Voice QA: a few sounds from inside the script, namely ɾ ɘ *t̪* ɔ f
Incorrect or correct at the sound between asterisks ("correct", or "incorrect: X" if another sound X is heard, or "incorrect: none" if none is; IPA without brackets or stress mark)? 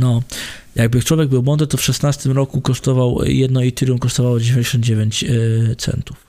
correct